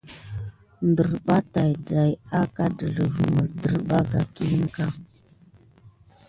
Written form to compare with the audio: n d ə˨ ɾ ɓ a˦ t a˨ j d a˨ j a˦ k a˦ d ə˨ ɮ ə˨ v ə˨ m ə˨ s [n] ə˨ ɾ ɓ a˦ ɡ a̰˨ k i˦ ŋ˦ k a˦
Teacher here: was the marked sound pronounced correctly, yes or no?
no